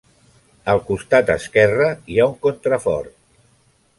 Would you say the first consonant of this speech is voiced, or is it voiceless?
voiced